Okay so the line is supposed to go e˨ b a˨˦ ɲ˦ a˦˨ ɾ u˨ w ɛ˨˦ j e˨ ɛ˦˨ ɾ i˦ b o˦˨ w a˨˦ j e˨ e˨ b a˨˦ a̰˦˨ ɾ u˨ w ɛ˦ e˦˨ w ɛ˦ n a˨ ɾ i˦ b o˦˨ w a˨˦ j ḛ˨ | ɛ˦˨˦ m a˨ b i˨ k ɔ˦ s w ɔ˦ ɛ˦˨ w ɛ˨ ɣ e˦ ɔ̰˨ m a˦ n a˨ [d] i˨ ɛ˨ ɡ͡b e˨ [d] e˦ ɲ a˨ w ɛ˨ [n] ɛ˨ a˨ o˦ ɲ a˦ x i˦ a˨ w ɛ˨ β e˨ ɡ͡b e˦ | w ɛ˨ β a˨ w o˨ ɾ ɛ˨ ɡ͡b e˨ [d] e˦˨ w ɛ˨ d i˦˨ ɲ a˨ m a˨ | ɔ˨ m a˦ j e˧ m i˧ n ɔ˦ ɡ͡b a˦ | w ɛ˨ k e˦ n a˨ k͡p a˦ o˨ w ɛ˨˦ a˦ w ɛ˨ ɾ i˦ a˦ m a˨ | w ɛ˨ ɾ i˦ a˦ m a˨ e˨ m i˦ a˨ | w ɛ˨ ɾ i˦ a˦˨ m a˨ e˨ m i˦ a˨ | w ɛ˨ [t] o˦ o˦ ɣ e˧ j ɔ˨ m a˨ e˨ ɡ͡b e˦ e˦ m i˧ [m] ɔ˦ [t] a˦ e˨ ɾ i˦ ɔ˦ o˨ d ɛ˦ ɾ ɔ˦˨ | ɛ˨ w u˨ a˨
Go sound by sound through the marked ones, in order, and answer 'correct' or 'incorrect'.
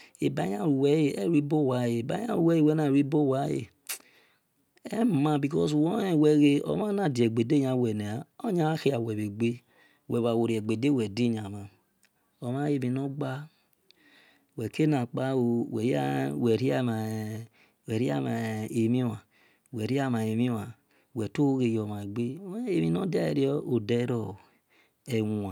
correct, correct, correct, correct, correct, incorrect, incorrect

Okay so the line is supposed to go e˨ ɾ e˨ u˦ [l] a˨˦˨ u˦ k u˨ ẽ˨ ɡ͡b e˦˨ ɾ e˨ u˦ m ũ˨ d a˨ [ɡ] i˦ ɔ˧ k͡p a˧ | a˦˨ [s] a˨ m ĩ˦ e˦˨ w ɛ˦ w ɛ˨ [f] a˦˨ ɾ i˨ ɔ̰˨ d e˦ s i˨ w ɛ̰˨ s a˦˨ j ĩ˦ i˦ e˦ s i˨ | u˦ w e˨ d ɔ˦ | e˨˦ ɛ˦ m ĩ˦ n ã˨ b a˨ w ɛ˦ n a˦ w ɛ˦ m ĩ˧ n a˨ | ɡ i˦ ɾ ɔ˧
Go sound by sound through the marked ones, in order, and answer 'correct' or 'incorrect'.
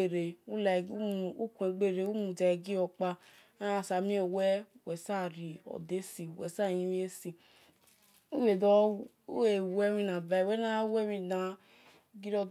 correct, correct, correct, incorrect

